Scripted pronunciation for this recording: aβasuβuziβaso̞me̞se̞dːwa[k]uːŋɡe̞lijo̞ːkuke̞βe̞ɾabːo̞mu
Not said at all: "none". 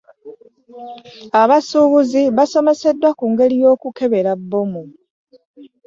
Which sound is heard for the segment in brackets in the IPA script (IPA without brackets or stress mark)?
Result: k